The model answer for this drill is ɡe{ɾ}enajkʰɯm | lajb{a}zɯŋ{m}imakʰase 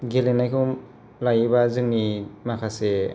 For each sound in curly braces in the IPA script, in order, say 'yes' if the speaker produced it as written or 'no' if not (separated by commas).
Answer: no, yes, no